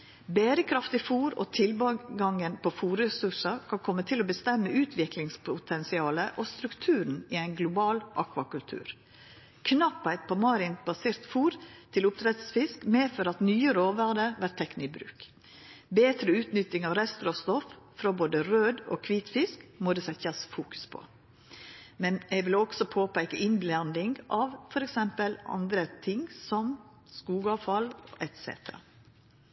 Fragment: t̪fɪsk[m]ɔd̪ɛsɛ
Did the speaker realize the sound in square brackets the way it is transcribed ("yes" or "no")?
yes